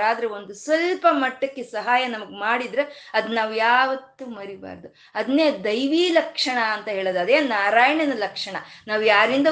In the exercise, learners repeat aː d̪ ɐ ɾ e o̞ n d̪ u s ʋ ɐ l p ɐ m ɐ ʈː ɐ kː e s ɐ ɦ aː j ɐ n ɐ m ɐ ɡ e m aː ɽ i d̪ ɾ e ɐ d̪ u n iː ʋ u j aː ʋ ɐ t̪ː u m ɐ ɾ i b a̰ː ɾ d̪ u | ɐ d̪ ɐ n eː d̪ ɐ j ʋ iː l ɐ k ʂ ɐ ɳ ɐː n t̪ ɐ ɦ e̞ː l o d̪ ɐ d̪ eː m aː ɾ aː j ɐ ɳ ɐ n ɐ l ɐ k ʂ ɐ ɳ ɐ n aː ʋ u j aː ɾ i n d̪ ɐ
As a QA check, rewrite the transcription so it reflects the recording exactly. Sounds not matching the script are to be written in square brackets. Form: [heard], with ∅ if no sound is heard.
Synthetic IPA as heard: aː d̪ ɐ ɾ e o̞ n d̪ u s ʋ ɐ l p ɐ m ɐ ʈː ɐ kː e s ɐ ɦ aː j ɐ n ɐ m ɐ ɡ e m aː ɽ i d̪ ɾ e ɐ d̪ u n [aː] ʋ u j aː ʋ ɐ t̪ː u m ɐ ɾ i b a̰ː ɾ d̪ u | ɐ d̪ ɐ n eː d̪ ɐ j ʋ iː l ɐ k ʂ ɐ ɳ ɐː n t̪ ɐ ɦ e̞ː [ɭ] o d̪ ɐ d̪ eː [n] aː ɾ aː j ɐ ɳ ɐ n ɐ l ɐ k ʂ ɐ ɳ ɐ n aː ʋ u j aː ɾ i n d̪ ɐ